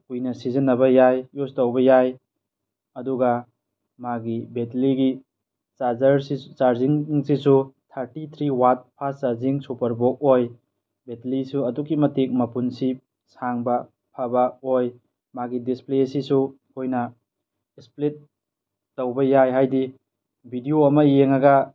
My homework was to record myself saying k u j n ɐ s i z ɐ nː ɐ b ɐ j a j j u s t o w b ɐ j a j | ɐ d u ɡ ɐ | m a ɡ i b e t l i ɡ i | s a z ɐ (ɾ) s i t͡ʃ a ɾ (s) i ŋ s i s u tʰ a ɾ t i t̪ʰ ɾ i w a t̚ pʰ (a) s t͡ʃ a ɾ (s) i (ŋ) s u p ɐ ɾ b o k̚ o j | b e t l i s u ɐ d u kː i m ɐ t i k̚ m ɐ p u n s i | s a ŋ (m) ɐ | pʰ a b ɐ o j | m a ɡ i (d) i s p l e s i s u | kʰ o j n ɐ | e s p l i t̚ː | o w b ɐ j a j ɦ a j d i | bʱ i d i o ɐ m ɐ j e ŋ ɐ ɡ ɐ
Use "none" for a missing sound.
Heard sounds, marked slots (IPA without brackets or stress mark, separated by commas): ɾ, z, a, z, ŋ, b, d